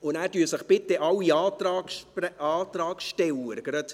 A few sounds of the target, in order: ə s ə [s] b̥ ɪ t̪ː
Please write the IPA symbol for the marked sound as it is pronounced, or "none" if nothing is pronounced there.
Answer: χ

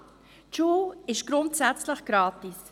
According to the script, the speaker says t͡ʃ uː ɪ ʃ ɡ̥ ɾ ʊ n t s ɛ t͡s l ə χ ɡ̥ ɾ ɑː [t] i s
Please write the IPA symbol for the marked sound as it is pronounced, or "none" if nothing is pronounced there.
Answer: t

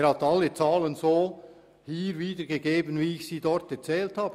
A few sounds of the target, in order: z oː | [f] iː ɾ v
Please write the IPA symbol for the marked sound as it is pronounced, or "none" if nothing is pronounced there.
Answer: h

